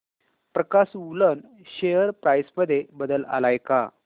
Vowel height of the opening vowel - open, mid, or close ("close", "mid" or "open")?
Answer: mid